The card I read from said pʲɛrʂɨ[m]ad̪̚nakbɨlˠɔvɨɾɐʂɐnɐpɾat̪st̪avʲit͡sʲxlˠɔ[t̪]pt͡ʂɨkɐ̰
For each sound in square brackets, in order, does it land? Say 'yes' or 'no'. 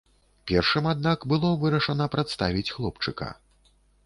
yes, no

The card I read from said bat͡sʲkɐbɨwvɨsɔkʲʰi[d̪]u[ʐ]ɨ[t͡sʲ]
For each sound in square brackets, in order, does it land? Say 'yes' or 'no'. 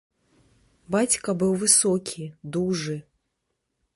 yes, yes, no

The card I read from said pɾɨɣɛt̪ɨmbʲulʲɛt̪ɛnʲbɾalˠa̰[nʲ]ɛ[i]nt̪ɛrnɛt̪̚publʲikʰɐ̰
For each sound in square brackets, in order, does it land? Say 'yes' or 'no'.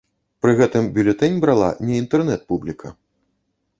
yes, yes

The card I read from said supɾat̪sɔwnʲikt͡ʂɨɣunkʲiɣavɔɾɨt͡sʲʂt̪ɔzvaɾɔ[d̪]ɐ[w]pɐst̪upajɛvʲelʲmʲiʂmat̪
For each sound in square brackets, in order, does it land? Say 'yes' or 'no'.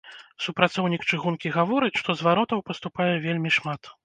no, yes

